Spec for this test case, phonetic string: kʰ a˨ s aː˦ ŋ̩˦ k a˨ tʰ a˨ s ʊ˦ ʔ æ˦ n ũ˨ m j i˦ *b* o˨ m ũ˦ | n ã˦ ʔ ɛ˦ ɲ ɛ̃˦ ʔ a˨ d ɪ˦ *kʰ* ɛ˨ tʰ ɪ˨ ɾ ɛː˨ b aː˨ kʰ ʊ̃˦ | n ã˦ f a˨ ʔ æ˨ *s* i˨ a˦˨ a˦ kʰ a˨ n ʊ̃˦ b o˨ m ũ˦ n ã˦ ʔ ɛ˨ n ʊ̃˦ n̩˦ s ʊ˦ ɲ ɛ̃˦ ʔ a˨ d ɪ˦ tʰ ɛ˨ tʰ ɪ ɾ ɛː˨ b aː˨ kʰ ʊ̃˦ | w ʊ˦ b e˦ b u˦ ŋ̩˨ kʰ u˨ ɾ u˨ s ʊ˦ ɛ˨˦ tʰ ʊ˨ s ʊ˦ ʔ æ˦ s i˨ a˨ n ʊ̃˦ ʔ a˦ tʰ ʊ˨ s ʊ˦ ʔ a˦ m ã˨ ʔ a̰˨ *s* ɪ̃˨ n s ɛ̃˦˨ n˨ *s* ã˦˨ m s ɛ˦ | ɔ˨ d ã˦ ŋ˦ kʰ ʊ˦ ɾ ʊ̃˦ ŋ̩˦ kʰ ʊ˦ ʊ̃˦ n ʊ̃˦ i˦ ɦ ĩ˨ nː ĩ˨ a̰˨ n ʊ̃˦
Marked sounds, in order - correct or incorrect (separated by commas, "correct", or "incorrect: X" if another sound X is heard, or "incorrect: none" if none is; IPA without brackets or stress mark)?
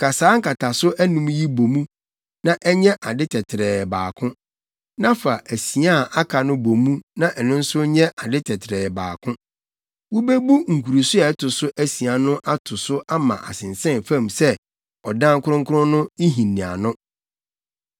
correct, incorrect: tʰ, correct, correct, incorrect: f